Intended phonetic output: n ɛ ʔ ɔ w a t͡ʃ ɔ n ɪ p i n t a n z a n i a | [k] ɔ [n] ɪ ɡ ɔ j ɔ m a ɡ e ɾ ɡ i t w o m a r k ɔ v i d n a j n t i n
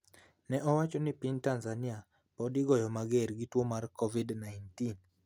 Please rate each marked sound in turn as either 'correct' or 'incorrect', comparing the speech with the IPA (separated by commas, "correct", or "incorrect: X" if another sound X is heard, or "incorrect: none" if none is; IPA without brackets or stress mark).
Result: incorrect: p, incorrect: d